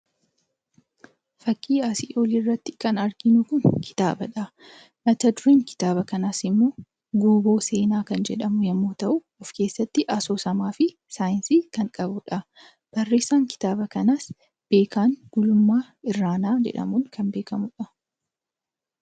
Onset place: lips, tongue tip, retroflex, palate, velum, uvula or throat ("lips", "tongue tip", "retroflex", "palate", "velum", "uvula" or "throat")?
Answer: lips